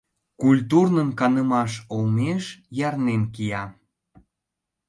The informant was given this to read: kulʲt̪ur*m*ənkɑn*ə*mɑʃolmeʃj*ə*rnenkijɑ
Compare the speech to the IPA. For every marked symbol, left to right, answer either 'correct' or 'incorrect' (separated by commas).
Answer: incorrect, correct, incorrect